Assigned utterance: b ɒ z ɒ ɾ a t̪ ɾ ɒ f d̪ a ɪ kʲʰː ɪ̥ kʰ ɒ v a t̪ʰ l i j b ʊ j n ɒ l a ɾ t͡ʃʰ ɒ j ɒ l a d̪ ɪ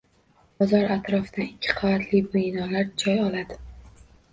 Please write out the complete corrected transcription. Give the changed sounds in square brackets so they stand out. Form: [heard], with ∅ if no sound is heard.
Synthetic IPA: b ɒ z ɒ ɾ a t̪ ɾ ɒ f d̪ a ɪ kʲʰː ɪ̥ [qʰ] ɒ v a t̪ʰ l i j b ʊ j n ɒ l a ɾ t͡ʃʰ ɒ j ɒ l a d̪ ɪ